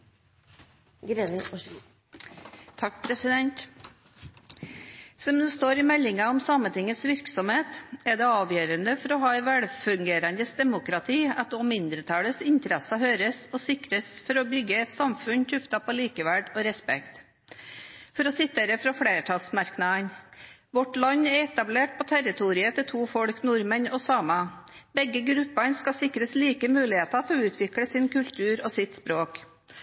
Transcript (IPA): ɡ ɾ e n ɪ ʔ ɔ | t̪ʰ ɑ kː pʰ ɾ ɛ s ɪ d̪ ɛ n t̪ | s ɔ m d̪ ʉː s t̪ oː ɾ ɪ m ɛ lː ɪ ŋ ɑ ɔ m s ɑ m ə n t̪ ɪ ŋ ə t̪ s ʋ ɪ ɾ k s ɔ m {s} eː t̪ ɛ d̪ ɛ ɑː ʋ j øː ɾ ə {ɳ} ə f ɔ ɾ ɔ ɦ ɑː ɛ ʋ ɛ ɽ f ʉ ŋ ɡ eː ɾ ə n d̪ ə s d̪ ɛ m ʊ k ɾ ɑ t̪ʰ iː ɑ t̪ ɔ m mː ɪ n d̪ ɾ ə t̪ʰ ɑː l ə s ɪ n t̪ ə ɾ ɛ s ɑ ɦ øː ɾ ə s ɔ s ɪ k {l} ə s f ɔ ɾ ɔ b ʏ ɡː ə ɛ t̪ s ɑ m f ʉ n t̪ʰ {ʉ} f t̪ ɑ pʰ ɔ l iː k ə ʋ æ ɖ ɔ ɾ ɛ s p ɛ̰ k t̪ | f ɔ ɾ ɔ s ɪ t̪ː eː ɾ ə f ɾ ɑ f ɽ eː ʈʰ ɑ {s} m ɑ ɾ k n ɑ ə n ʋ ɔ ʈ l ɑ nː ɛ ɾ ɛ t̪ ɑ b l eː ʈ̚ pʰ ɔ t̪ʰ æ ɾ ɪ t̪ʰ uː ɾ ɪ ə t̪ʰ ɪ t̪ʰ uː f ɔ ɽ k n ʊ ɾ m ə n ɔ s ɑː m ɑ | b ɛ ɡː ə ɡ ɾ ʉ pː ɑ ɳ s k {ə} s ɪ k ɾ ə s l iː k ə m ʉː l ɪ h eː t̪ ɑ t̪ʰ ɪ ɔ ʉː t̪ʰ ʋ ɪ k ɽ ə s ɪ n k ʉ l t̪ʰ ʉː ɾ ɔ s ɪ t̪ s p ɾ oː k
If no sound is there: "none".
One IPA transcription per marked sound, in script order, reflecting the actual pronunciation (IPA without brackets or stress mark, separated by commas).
h, n, ɾ, ʉ, s, ɑ